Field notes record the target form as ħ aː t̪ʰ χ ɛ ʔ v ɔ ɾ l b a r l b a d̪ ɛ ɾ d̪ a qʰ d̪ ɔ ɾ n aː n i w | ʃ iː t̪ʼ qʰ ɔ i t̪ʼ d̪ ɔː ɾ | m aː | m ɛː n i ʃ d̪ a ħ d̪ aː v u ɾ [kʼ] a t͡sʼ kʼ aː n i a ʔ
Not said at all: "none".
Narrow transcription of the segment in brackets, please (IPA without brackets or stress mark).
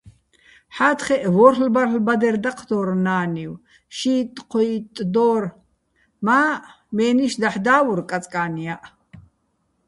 kʼ